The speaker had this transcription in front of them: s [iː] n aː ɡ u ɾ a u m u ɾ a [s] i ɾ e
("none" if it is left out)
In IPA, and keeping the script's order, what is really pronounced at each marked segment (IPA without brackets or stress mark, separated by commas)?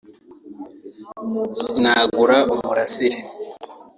i, s